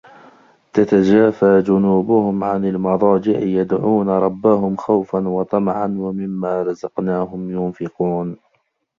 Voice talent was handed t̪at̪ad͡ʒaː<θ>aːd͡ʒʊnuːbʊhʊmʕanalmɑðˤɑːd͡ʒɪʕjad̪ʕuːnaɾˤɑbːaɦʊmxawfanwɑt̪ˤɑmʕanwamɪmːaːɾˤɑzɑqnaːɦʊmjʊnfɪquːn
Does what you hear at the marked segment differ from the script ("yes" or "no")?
yes